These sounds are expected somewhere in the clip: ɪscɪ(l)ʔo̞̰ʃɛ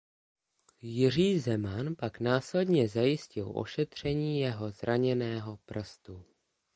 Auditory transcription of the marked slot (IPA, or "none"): l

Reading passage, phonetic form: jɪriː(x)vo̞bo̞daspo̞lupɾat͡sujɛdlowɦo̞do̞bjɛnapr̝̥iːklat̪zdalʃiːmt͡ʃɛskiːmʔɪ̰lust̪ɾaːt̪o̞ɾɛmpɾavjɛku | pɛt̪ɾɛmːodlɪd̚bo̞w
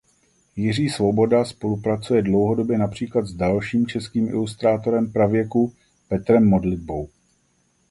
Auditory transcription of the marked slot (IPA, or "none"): s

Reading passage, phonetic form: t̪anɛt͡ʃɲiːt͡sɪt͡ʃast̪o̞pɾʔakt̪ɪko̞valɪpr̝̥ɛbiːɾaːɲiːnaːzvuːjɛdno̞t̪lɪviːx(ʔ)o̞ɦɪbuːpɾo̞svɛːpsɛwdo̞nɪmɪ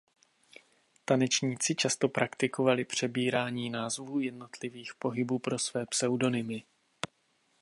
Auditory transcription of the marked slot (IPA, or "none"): p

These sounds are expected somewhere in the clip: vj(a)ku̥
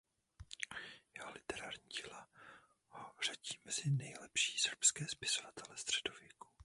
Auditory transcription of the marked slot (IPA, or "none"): ɛ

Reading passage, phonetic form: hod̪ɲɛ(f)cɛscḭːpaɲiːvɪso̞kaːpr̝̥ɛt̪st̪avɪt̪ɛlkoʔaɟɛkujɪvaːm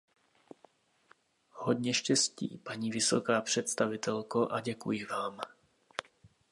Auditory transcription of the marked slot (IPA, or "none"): ʃ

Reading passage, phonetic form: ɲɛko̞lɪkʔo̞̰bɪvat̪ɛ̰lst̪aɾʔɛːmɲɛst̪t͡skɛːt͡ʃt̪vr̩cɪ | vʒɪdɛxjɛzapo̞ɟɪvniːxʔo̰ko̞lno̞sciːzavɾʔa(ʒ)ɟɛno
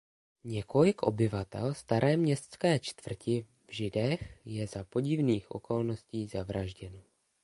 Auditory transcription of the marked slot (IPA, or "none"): ʒ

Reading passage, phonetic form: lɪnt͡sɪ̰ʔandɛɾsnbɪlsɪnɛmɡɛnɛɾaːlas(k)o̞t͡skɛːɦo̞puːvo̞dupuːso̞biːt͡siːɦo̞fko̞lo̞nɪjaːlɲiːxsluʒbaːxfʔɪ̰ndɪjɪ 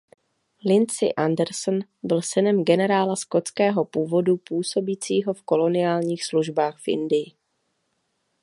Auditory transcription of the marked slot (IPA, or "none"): k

